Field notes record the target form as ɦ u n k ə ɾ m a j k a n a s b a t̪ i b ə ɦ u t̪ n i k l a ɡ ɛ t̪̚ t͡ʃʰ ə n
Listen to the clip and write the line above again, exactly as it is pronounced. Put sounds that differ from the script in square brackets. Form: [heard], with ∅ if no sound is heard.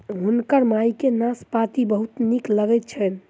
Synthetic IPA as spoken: ɦ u n k ə ɾ m a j k [e] n a s [p] a t̪ i b ə ɦ u t̪ n i k l [ə] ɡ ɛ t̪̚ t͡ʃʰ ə n